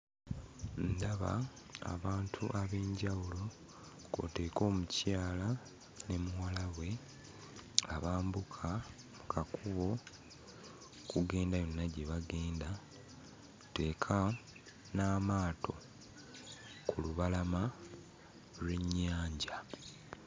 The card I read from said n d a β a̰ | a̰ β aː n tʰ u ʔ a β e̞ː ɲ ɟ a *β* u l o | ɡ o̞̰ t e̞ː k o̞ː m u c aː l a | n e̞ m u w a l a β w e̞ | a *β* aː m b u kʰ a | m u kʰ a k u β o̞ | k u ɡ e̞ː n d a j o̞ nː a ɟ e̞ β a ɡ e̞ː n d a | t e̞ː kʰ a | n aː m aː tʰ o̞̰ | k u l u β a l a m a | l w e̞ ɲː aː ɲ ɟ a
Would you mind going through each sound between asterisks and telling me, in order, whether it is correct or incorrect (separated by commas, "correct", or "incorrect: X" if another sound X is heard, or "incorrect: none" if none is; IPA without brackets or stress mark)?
incorrect: w, correct